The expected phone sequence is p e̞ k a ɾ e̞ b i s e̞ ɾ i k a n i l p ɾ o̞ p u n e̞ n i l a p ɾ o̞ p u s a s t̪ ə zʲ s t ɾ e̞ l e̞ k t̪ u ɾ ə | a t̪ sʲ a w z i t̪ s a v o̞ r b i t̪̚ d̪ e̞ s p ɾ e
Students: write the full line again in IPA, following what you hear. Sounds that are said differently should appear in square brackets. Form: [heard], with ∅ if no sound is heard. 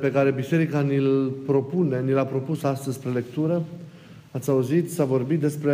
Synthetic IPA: p e̞ k a ɾ e̞ b i s e̞ ɾ i k a n i l p ɾ o̞ p u n e̞ n i l a p ɾ o̞ p u s a s t̪ ə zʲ s [p] ɾ e̞ l e̞ k t̪ u ɾ ə | a t̪ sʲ a [u] z i t̪ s a v o̞ r b i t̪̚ d̪ e̞ s p ɾ e